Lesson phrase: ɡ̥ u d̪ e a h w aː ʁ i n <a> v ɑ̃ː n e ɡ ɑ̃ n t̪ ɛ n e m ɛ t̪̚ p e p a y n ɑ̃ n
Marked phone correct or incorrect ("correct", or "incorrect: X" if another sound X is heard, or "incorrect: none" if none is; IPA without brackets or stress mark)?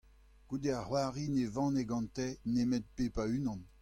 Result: incorrect: e